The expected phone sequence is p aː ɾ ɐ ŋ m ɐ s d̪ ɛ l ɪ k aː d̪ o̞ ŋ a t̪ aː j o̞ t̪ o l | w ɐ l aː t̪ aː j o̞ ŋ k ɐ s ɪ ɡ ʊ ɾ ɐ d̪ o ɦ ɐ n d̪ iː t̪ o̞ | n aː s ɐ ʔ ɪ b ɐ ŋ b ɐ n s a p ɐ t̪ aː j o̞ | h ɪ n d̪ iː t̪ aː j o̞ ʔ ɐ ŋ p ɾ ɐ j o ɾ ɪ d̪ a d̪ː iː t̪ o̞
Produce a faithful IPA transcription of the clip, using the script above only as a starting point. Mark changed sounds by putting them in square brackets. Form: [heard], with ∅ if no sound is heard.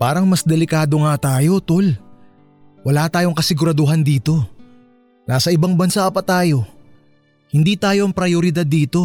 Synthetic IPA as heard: p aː ɾ ɐ ŋ m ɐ s d̪ ɛ l ɪ k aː d̪ o̞ ŋ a t̪ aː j o̞ t̪ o l | w ɐ l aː t̪ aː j o̞ ŋ k ɐ s ɪ ɡ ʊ ɾ ɐ d̪ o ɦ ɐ n d̪ iː t̪ o̞ | n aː s ɐ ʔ ɪ b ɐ ŋ b ɐ n s a p ɐ t̪ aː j o̞ | h ɪ n d̪ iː t̪ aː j o̞ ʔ ɐ ŋ p ɾ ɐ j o ɾ ɪ d̪ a d̪ː iː t̪ o̞